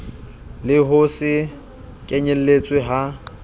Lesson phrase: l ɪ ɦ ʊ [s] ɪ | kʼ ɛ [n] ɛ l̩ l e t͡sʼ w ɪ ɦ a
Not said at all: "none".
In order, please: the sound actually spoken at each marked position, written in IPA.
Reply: s, ɲ

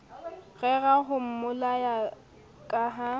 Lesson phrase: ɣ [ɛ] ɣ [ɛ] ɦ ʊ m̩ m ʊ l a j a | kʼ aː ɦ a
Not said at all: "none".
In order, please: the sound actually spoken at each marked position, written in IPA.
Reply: ɛ, a

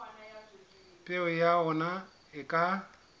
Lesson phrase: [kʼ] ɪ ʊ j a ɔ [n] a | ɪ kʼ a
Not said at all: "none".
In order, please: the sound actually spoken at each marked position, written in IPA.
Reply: pʼ, n

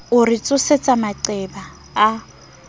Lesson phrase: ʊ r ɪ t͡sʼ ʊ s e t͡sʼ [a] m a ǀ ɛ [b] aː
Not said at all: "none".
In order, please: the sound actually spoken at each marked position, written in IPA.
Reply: a, b

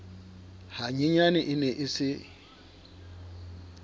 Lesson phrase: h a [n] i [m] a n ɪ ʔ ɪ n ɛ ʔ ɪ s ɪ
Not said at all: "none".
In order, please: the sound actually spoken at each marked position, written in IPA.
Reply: ɲ, ɲ

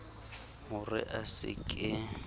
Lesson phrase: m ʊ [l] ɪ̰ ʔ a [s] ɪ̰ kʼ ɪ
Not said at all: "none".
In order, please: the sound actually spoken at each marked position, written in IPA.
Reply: r, s

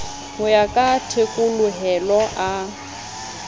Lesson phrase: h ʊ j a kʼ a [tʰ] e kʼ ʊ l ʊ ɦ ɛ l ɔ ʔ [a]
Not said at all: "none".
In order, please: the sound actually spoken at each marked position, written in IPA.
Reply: tʰ, a

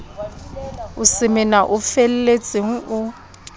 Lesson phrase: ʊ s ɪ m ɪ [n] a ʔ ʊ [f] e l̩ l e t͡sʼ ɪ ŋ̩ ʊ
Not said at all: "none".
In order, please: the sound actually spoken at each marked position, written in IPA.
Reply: n, f

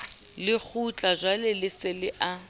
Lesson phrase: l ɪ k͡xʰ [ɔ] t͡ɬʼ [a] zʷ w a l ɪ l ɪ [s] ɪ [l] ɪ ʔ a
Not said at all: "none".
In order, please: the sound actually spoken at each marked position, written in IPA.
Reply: u, a, s, l

